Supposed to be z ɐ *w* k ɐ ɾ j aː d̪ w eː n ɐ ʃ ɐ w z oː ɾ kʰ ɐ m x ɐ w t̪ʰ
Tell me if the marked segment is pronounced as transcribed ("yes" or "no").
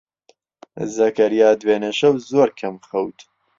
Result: no